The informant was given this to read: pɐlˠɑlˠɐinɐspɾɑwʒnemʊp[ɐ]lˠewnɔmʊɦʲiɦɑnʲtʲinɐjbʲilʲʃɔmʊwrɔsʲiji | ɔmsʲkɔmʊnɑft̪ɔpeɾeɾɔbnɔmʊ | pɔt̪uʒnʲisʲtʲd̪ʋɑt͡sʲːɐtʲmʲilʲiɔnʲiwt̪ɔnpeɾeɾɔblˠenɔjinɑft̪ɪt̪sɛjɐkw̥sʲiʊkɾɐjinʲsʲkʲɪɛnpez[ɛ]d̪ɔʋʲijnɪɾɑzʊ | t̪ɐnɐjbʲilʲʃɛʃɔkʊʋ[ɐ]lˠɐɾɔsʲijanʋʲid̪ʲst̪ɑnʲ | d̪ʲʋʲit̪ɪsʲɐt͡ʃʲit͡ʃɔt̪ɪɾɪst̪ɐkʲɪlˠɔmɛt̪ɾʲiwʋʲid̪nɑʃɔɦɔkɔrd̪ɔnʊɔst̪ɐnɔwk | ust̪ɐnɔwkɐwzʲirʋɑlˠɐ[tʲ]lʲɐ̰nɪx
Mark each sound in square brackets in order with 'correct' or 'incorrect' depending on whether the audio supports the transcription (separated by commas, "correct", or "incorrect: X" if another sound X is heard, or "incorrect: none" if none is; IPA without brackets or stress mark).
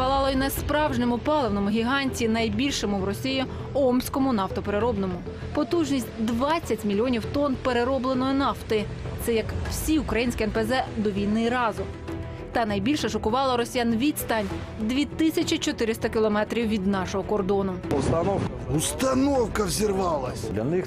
incorrect: ɑ, correct, incorrect: ɑ, incorrect: sʲ